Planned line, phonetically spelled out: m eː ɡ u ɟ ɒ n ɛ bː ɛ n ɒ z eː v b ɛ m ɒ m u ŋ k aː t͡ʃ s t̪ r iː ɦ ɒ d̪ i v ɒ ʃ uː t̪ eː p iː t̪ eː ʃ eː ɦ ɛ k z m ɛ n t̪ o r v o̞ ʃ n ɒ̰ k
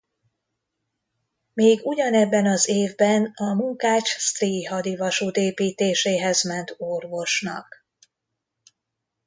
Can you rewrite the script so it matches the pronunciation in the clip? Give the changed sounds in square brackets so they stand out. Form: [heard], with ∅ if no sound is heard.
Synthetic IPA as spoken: m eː ɡ u ɟ ɒ n ɛ bː ɛ n ɒ z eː v b ɛ [n] ɒ m u ŋ k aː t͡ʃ s t̪ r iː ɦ ɒ d̪ i v ɒ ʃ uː t̪ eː p iː t̪ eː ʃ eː ɦ ɛ [∅] z m ɛ n t̪ o r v o̞ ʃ n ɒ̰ k